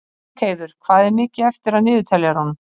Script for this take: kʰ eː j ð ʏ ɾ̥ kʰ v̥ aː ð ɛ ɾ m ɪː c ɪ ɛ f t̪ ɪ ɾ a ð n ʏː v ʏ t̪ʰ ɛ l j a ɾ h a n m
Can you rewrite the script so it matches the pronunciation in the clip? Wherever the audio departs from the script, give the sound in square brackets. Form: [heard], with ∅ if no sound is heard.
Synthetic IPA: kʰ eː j ð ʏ ɾ̥ kʰ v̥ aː ð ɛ ɾ m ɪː c ɪ ɛ f t̪ ɪ ɾ a ð n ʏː [ð] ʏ t̪ʰ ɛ l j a ɾ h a n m